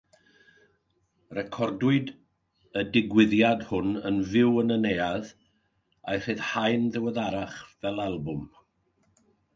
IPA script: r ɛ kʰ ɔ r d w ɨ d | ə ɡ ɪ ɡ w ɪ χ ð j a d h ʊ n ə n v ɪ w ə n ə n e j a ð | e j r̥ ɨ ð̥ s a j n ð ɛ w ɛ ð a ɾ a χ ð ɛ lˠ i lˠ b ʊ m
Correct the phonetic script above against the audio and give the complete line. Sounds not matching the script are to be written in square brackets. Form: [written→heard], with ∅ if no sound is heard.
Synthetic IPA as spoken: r ɛ kʰ ɔ r d w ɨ d | ə [ɡ→d] ɪ ɡ w ɪ [χ→∅] ð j a d h ʊ n ə n v ɪ w ə n ə n e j a ð | [e→a] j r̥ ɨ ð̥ [s→h] a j n ð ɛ w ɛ ð a ɾ a χ [ð→v] ɛ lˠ [i→a] lˠ b ʊ m